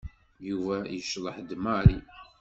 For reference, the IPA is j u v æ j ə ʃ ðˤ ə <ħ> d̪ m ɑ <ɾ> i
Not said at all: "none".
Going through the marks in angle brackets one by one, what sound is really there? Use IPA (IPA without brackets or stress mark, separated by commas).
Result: ħ, ɾ